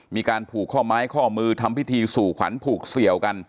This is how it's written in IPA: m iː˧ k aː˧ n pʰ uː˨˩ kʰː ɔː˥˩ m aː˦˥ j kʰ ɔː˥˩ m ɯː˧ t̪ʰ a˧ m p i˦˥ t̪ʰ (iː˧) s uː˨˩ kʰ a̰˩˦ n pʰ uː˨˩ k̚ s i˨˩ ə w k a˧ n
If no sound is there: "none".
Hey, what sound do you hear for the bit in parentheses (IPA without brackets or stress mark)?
iː˧